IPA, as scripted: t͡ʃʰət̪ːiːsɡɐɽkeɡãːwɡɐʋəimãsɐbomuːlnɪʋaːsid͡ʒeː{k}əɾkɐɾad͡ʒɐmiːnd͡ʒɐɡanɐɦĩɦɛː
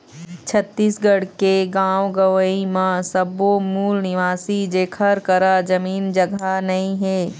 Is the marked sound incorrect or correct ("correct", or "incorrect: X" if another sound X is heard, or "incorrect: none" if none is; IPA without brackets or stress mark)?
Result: incorrect: kʰ